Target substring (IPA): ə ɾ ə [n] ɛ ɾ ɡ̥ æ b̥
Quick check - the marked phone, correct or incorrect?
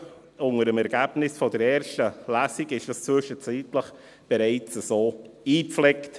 incorrect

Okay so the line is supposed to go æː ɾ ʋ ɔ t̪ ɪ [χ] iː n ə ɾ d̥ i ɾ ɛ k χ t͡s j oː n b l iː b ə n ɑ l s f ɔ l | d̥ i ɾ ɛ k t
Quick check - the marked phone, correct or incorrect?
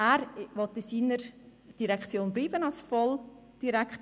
incorrect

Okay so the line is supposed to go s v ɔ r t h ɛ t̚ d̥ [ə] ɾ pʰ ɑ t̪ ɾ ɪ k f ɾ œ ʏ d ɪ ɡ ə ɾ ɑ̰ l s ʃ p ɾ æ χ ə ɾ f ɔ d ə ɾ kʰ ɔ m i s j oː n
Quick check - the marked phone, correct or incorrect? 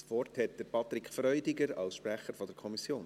correct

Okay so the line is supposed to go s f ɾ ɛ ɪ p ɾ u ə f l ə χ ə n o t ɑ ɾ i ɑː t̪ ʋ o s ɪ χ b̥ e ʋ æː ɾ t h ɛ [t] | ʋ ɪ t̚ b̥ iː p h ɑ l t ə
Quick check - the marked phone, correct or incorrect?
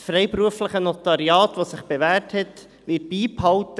correct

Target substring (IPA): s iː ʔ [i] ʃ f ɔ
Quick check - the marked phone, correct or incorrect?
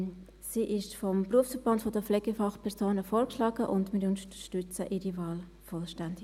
incorrect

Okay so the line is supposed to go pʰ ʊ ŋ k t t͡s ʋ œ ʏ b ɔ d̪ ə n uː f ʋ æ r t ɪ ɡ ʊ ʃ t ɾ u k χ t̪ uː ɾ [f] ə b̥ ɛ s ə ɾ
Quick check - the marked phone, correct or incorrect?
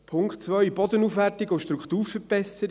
correct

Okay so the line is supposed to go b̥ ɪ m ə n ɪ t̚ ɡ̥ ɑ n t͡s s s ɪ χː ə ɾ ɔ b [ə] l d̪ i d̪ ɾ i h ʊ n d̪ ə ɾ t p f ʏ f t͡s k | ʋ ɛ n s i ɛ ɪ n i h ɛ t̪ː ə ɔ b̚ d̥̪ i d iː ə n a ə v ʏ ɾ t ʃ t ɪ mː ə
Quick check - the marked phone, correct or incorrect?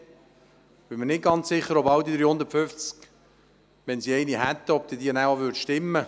incorrect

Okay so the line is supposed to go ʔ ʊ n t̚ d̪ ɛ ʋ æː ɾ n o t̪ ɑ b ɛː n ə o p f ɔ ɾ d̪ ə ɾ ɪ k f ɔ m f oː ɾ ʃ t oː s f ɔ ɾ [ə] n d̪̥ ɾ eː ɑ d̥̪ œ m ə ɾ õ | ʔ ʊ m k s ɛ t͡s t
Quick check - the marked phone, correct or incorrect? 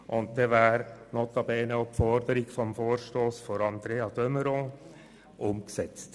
incorrect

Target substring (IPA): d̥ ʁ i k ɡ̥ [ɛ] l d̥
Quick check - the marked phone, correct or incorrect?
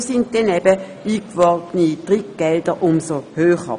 correct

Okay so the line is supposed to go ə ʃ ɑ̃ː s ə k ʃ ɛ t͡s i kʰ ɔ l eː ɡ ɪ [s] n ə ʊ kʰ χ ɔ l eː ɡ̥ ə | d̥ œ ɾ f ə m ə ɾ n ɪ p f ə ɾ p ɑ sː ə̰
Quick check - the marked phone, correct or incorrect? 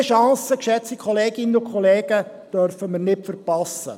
incorrect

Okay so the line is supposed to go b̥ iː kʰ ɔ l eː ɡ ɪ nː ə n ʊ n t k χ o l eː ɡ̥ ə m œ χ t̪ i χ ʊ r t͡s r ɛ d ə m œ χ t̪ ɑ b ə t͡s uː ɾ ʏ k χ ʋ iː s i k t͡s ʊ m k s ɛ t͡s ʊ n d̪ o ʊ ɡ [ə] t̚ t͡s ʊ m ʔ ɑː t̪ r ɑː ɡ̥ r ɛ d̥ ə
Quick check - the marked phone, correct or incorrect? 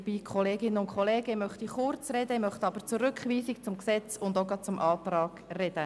incorrect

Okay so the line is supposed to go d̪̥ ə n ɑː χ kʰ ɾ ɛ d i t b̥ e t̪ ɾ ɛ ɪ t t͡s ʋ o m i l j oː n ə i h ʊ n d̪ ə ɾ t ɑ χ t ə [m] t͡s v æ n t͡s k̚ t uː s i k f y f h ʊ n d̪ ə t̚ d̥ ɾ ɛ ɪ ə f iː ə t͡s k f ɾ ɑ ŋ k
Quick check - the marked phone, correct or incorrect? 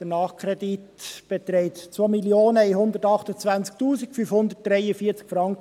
incorrect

